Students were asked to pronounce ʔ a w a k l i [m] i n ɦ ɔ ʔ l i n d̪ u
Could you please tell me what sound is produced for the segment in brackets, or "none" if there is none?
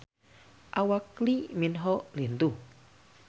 m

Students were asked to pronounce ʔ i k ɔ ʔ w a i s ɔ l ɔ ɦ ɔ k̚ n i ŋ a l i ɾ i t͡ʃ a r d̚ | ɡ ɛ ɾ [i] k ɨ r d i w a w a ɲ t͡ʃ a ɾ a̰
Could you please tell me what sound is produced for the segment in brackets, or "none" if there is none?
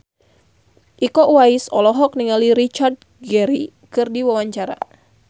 i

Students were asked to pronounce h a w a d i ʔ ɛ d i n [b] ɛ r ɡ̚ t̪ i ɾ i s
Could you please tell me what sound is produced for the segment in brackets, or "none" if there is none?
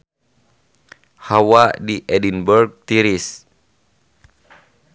b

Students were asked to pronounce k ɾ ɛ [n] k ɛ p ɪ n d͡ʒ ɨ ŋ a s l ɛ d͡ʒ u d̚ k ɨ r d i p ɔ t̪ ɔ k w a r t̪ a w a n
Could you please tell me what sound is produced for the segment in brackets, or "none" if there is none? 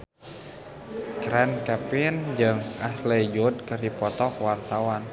n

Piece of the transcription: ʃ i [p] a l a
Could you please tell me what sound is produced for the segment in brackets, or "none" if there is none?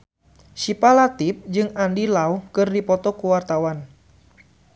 p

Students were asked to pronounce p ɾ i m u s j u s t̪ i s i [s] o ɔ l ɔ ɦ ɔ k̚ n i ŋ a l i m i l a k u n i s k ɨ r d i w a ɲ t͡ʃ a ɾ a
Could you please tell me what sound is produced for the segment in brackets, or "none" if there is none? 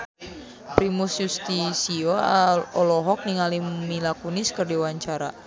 none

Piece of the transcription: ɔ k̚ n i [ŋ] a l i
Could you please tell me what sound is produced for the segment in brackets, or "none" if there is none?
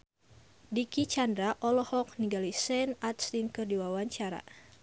ɡ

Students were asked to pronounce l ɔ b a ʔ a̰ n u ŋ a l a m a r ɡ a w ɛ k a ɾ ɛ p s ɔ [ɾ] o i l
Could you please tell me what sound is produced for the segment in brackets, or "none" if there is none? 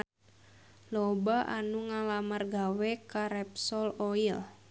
l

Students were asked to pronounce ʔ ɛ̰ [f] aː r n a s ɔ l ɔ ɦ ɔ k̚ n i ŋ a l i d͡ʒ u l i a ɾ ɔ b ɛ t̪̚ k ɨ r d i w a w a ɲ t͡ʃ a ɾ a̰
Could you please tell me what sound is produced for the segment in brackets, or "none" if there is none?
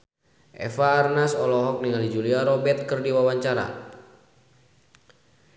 f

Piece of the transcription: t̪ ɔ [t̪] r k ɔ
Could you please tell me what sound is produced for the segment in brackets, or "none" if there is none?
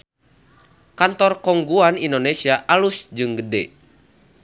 none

